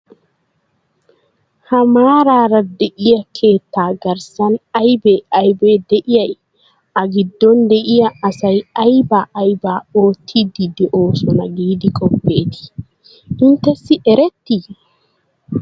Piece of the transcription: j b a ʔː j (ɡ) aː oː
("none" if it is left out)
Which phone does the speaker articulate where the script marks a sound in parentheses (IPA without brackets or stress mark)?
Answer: b